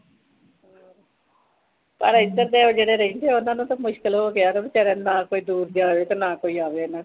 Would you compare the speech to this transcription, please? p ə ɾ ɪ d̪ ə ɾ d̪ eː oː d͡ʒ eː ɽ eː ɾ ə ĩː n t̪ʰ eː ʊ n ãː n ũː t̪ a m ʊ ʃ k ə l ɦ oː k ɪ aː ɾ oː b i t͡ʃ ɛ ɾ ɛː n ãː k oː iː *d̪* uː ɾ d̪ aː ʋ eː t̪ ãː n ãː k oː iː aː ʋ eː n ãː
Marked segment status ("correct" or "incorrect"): correct